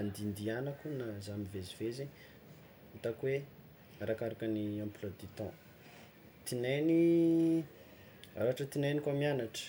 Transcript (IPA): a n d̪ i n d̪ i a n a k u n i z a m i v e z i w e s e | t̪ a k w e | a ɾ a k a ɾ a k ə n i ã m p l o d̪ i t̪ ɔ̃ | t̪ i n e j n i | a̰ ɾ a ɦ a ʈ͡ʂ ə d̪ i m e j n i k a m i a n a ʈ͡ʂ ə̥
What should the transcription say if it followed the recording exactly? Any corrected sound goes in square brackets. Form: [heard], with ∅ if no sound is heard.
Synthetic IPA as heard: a n d̪ i n d̪ i a n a k u n [a] z a m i v e z i [v] e [z] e | t̪ a k w e | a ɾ a k a ɾ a k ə n i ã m p l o d̪ i t̪ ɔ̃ | t̪ i n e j n i | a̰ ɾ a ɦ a ʈ͡ʂ ə [t̪] i [n] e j n i k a m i a n a ʈ͡ʂ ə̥